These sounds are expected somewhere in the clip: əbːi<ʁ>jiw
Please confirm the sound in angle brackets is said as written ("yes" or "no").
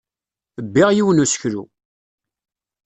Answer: yes